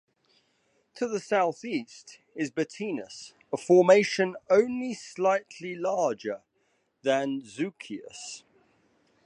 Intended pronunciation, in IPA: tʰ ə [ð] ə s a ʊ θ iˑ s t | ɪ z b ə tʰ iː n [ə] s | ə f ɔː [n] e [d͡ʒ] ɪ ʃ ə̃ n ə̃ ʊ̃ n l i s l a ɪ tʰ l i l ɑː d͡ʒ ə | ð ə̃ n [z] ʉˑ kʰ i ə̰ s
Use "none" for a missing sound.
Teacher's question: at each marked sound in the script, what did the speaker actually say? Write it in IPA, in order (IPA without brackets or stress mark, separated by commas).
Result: ð, ə, m, none, z